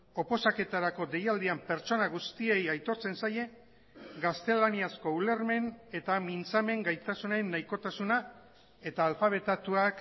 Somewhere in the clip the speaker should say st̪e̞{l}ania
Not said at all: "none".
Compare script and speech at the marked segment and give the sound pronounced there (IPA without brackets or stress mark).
l